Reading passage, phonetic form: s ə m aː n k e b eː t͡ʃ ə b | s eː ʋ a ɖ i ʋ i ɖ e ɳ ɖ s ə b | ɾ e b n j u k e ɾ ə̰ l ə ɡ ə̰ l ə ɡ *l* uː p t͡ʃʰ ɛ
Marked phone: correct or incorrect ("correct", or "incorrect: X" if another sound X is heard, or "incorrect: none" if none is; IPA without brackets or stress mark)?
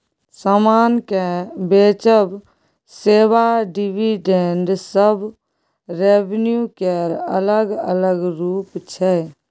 incorrect: ɾ